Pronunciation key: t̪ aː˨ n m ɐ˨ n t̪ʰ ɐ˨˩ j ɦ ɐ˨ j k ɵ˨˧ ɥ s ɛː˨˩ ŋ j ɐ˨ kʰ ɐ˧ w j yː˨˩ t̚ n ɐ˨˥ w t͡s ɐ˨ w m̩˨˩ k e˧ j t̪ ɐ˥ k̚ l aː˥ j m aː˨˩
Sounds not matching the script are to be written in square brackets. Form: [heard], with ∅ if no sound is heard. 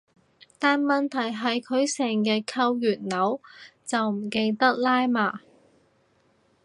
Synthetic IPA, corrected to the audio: t̪ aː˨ n m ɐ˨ n t̪ʰ ɐ˨˩ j ɦ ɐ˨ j [kʰ] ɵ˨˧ ɥ s ɛː˨˩ ŋ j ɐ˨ kʰ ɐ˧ w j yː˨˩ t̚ n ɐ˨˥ w t͡s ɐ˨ w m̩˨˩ k e˧ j t̪ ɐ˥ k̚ l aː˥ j m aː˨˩